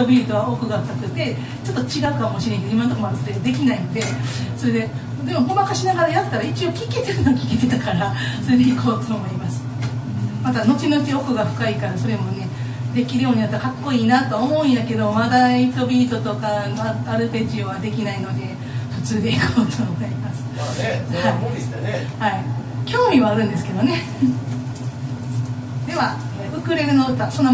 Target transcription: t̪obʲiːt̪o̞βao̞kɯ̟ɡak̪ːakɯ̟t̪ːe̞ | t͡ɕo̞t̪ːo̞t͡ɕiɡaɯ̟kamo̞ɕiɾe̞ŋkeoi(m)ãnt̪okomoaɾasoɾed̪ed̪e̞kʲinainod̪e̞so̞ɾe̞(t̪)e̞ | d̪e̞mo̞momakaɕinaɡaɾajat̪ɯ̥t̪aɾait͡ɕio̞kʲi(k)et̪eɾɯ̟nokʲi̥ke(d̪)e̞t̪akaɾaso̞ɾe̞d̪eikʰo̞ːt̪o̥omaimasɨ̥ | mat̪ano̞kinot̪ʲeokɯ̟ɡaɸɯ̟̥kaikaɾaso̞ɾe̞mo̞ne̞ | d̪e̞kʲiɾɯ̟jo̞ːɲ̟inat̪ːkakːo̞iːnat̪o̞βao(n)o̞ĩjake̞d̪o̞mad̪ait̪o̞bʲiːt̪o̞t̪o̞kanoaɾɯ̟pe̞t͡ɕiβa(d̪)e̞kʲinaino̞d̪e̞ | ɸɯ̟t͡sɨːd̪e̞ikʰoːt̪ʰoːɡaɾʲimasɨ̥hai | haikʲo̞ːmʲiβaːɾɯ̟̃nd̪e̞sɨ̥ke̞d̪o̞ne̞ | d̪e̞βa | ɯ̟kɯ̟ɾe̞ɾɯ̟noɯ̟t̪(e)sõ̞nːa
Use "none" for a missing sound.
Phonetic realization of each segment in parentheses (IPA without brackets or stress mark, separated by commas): m, d̪, k, t̪, m, d̪, a